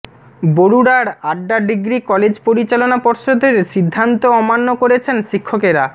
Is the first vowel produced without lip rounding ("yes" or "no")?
no